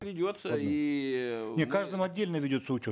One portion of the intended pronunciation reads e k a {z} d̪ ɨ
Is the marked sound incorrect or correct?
incorrect